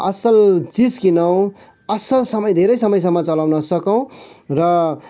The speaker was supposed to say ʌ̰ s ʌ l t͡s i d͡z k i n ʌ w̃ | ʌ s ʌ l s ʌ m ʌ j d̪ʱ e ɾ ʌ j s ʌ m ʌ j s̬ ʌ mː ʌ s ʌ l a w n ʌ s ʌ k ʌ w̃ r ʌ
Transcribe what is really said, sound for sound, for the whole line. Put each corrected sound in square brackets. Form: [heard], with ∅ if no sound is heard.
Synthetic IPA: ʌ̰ s ʌ l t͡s i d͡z k i n ʌ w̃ | ʌ s ʌ l s ʌ m ʌ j d̪ʱ e ɾ ʌ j s ʌ m ʌ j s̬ ʌ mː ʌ [t͡s] ʌ l a w n ʌ s ʌ k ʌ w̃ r ʌ